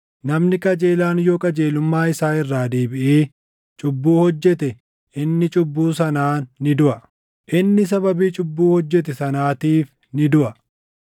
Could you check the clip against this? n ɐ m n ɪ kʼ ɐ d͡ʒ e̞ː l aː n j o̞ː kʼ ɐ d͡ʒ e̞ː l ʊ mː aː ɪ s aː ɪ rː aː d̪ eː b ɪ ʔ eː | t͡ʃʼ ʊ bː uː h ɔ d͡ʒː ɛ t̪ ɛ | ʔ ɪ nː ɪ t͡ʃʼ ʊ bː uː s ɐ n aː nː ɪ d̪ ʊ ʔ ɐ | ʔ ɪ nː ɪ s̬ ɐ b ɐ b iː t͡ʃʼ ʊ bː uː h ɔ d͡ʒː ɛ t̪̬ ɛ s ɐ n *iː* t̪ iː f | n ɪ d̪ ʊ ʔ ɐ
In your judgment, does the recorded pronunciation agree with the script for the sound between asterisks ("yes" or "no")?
no